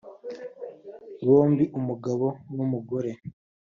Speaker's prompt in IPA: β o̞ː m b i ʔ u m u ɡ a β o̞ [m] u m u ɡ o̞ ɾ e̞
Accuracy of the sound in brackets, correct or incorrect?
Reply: incorrect